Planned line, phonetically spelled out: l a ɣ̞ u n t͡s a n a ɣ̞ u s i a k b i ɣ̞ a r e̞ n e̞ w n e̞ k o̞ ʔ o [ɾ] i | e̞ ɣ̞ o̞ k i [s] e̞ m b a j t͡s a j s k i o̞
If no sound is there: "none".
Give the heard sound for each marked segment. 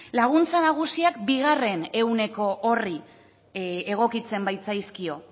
r, t͡s

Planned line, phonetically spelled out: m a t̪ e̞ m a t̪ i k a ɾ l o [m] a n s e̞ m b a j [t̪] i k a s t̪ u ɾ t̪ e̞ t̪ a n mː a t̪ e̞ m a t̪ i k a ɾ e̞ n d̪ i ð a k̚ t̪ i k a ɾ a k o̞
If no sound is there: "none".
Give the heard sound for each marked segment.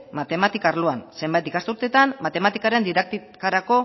none, t̪

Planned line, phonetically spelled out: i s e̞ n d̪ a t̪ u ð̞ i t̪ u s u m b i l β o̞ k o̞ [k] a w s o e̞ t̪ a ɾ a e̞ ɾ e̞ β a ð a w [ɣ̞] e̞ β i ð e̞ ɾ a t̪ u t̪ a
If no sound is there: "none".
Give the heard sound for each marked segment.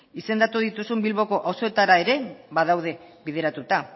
ʔ, ð̞

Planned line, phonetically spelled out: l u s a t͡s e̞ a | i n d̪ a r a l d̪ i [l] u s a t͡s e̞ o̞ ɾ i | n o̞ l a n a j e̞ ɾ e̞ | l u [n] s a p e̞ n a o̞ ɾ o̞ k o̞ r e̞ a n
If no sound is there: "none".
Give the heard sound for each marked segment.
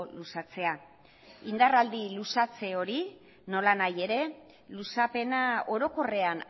l, none

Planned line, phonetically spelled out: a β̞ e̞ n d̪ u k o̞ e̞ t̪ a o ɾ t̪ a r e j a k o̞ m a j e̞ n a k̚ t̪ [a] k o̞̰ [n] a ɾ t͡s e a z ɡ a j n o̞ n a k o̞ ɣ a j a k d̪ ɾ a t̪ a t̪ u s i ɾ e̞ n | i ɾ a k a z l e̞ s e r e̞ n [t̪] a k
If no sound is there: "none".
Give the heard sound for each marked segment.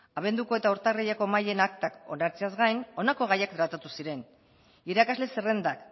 a, n, d̪

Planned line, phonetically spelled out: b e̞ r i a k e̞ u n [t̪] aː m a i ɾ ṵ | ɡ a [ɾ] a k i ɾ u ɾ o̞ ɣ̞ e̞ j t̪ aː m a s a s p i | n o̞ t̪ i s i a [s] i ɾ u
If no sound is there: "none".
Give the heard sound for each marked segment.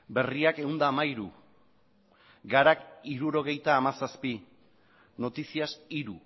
d̪, ɾ, s

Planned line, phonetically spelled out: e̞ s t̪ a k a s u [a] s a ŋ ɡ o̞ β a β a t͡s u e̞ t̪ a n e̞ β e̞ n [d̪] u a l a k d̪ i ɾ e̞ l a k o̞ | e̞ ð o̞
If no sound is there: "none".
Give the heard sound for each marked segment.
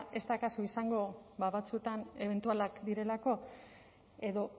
i, t̪

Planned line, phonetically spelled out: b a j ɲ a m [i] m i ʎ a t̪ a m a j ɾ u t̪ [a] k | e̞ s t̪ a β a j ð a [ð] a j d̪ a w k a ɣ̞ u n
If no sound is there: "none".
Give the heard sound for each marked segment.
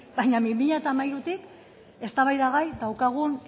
i, i, ɣ

